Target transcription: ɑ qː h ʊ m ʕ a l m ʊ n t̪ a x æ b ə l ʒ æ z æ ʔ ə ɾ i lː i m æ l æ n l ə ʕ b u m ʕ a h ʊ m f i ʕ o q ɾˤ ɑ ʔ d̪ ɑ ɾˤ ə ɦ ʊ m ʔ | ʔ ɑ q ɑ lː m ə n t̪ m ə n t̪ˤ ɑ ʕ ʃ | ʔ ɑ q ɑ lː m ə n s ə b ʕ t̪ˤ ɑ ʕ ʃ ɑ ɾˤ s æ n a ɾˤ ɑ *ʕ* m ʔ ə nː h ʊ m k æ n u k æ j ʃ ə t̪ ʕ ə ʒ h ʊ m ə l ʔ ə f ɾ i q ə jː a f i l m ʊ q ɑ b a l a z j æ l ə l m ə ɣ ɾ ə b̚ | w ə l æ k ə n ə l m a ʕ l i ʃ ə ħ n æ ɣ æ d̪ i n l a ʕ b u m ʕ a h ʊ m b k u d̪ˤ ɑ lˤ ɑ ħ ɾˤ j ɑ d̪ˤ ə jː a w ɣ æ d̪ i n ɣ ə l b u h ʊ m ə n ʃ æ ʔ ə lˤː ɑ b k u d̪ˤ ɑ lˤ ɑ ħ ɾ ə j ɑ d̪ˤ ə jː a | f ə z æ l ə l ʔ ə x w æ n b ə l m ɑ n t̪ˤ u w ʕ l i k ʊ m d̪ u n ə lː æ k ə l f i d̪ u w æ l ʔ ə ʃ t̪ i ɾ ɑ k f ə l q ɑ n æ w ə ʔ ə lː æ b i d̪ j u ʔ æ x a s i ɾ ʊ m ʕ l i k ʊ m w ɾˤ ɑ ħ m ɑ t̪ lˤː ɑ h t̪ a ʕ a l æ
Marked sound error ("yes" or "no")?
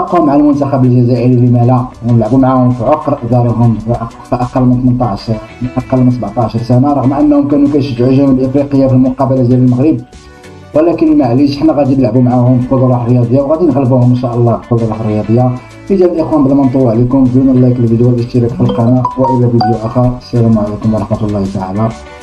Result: yes